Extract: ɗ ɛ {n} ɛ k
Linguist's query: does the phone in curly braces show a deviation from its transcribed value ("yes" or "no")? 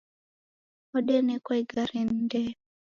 no